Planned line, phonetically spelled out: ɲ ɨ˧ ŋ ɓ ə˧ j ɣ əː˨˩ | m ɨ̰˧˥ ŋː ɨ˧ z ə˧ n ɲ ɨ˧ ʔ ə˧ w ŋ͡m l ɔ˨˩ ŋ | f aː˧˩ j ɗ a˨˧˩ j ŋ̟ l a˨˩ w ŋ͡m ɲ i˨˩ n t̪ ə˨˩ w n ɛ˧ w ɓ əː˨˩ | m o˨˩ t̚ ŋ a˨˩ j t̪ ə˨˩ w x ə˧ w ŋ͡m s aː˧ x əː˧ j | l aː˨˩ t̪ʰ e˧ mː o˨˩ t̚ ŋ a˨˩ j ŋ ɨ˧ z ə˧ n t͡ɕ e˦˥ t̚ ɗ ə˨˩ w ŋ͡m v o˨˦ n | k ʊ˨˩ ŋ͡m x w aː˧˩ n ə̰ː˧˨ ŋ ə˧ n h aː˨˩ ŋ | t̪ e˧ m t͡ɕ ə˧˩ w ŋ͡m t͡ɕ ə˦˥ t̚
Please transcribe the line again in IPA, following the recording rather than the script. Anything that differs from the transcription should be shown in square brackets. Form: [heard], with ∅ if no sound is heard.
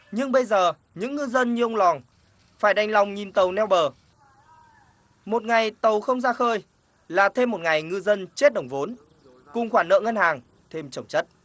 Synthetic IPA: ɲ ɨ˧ ŋ ɓ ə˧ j [z] əː˨˩ | [ɲ] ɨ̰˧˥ ŋː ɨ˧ z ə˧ n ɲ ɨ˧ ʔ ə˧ w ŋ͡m l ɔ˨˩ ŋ | f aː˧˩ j ɗ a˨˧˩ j ŋ̟ l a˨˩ w ŋ͡m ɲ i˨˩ n t̪ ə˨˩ w n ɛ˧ w ɓ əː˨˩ | m o˨˩ t̚ ŋ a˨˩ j t̪ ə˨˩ w x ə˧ w ŋ͡m [z] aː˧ x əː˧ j | l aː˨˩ t̪ʰ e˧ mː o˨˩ t̚ ŋ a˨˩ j ŋ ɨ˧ z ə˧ n t͡ɕ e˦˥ t̚ ɗ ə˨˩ w ŋ͡m v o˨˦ n | k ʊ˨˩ ŋ͡m x w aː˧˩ n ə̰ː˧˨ ŋ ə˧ n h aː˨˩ ŋ | [t̪ʰ] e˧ m t͡ɕ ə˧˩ w ŋ͡m t͡ɕ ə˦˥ t̚